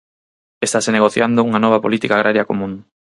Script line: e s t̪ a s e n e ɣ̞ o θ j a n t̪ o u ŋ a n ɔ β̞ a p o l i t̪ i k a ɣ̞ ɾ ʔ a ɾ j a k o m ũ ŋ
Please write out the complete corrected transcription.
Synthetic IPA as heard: e s t̪ a s e n e ɣ̞ o θ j a n d̪ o u ŋ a n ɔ β̞ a p o l i t̪ i k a ɣ̞ ɾ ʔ a ɾ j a k o m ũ ŋ